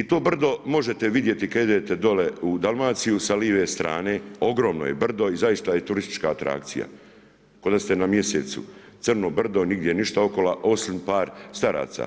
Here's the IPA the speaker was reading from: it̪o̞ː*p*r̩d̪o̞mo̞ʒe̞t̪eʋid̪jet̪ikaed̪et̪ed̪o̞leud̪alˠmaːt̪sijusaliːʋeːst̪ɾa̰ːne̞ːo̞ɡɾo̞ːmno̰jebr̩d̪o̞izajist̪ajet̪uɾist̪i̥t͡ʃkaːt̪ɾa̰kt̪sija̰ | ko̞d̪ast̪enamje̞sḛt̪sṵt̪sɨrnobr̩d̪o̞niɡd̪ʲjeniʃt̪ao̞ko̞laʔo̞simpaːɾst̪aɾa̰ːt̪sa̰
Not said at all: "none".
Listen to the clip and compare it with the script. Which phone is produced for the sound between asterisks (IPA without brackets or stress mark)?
b